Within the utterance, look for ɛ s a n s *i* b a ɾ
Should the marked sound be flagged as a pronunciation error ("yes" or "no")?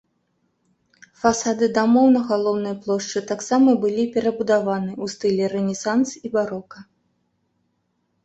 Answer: no